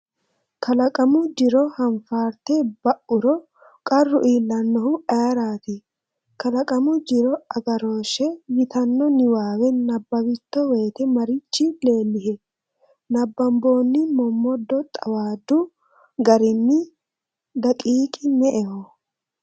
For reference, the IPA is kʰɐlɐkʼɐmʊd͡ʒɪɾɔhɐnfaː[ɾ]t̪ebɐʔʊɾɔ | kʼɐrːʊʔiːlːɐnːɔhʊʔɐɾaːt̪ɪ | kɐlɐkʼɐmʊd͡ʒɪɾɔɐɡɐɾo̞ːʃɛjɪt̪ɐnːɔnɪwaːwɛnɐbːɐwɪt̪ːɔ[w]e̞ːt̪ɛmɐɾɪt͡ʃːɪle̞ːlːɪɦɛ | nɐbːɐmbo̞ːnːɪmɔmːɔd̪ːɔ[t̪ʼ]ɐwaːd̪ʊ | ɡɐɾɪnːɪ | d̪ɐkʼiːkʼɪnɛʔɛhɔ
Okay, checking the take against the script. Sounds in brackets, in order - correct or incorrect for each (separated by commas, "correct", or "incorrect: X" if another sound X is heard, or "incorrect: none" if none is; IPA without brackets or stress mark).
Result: correct, correct, correct